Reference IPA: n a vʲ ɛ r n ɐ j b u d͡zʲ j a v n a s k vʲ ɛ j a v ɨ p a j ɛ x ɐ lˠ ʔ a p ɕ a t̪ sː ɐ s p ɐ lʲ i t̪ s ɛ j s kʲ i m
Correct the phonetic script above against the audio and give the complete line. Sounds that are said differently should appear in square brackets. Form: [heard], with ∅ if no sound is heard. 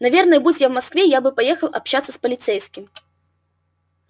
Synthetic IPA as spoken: n a vʲ ɛ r n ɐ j b u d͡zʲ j a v [m] a s k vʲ ɛ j a [b] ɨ p a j ɛ x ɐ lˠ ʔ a p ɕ a t̪ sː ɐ s p ɐ lʲ i t̪ s ɛ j s kʲ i m